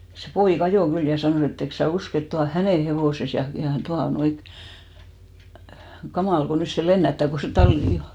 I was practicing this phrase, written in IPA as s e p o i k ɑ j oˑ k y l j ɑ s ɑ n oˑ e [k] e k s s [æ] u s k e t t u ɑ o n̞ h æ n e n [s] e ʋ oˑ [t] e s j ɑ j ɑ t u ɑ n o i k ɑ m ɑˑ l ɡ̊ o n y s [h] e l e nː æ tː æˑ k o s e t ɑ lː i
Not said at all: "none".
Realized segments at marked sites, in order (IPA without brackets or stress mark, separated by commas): t, æ, h, s, s